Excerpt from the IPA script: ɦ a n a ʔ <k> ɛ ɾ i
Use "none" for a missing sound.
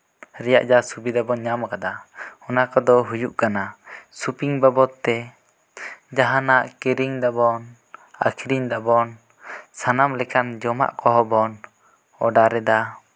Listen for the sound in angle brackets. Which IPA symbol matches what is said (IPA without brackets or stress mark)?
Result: k